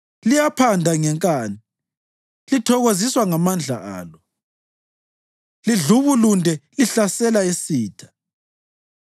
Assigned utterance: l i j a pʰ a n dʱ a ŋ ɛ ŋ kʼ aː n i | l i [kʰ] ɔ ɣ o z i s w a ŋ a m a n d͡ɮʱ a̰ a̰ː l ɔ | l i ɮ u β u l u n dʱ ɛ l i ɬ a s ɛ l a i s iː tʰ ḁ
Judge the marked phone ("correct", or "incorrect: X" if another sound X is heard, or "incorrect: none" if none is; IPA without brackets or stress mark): incorrect: tʰ